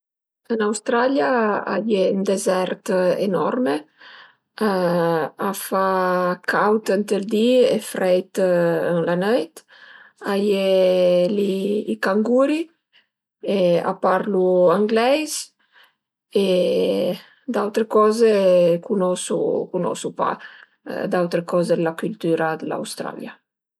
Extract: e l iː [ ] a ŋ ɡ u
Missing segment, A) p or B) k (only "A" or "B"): B